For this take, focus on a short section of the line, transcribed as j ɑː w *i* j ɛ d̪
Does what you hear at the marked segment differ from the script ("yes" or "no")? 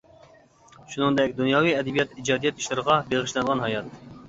no